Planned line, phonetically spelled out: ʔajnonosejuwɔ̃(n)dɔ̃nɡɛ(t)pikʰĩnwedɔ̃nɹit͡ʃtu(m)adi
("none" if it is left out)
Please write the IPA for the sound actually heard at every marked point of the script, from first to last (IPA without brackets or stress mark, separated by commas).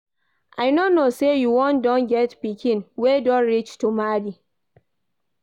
n, t, m